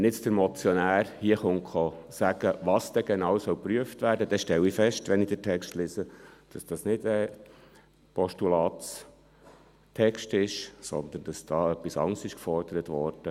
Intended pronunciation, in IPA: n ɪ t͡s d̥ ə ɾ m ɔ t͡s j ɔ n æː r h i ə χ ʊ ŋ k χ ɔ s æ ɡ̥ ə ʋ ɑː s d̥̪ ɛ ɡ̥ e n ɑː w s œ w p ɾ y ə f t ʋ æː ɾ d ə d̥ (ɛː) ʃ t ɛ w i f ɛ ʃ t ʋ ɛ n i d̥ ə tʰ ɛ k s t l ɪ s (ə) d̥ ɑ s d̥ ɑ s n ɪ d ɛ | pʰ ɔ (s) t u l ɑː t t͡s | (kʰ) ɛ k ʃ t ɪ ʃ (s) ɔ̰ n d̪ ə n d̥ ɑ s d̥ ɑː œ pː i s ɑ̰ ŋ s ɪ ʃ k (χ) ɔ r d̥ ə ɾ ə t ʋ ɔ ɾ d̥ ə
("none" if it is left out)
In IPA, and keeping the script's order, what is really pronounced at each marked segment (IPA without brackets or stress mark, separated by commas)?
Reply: ɛ, ə, ʃ, tʰ, s, f